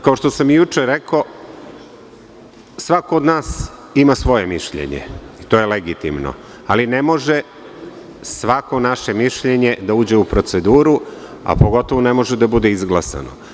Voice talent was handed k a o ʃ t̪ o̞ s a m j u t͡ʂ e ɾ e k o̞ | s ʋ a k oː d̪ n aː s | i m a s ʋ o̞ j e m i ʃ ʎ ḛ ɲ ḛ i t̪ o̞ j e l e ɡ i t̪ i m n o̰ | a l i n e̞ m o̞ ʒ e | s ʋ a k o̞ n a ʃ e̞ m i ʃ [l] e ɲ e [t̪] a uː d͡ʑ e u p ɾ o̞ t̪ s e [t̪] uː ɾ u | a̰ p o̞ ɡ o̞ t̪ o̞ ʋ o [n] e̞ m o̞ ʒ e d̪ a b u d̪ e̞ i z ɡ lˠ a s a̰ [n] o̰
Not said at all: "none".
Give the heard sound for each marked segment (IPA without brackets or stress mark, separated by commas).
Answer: ʎ, d̪, d̪, n, n